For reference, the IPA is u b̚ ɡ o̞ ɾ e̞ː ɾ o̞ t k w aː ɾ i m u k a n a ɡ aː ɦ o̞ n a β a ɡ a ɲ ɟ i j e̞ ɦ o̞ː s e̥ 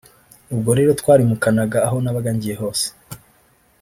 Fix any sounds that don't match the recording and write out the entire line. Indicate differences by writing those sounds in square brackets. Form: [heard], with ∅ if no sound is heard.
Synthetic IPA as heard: u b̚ ɡ o̞ ɾ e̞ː ɾ o̞ t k w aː ɾ i m u k a n a ɡ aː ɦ o̞ n a β a ɡ a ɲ ɟ i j e̞ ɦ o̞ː s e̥